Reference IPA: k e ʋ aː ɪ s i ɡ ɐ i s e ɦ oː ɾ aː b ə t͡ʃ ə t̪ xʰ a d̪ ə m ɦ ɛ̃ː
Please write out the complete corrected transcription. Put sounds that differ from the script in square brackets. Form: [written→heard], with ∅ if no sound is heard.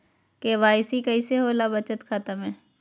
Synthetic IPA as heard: k e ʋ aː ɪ s i [ɡ→k] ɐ i s e ɦ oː [ɾ→l] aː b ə t͡ʃ ə t̪ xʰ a [d̪→t̪] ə m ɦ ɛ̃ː

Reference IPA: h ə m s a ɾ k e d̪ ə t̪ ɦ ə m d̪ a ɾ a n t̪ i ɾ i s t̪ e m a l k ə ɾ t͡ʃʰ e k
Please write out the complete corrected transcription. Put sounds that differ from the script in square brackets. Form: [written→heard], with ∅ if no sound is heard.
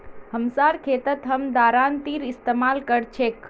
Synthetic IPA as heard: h ə m s a ɾ [k→kʰ] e [d̪→t̪] ə t̪ ɦ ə m d̪ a ɾ a n t̪ i ɾ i s t̪ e m a l k ə ɾ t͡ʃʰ e k

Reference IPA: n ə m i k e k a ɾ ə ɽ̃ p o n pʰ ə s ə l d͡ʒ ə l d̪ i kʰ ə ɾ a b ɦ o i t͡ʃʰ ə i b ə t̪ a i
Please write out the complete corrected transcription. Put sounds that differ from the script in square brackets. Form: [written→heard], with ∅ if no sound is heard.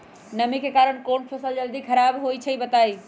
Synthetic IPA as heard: n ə m i k e k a ɾ ə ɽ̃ [p→k] o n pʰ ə s ə l d͡ʒ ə l d̪ i kʰ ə ɾ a b ɦ o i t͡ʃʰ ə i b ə t̪ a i

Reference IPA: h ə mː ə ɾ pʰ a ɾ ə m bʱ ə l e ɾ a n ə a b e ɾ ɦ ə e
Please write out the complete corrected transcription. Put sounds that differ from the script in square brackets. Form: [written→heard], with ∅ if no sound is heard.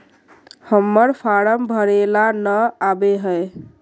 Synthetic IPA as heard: h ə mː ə ɾ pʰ a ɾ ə m bʱ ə [l→ɾ] e [ɾ→l] a n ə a b e [ɾ→∅] ɦ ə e

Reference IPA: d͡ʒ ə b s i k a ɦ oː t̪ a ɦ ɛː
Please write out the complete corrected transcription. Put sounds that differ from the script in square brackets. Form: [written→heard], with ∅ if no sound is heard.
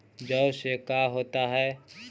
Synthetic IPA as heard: d͡ʒ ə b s [i→e] k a ɦ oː t̪ a ɦ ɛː

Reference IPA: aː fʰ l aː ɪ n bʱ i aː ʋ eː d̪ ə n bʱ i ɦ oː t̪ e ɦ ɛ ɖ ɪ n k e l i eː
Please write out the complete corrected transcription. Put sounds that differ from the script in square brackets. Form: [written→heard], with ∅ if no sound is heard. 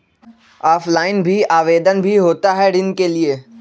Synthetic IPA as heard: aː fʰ l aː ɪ n bʱ i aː ʋ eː d̪ ə n bʱ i ɦ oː t̪ [e→a] ɦ ɛ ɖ ɪ n k e l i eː

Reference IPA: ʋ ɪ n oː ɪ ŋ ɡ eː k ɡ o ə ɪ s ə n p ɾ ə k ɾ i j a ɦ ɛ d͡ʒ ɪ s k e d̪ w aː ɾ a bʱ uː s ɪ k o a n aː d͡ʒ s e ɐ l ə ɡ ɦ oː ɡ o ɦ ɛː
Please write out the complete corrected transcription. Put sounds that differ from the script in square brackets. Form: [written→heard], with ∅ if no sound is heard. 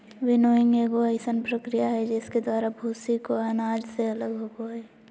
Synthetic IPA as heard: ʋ ɪ n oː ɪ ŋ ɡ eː [k→∅] ɡ o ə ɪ s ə n p ɾ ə k ɾ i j a ɦ ɛ d͡ʒ ɪ s k e d̪ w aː ɾ a bʱ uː s [ɪ→i] k o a n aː d͡ʒ s e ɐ l ə ɡ ɦ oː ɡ o ɦ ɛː

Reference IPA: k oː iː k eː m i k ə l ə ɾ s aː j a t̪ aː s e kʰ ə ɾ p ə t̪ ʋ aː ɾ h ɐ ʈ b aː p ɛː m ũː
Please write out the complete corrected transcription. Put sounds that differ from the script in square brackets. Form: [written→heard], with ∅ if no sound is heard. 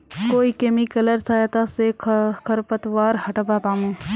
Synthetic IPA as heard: k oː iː k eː m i k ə l ə ɾ s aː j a t̪ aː s e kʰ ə ɾ p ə t̪ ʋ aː ɾ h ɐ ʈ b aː p [ɛː→aː] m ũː

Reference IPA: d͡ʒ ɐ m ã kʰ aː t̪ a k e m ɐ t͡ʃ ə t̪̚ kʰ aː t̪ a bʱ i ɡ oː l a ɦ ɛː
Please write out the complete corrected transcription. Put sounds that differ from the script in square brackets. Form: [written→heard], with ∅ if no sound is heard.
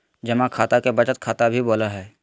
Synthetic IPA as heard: d͡ʒ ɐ m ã kʰ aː t̪ a k e [m→b] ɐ t͡ʃ ə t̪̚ kʰ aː t̪ a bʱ i [ɡ→b] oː l a ɦ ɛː

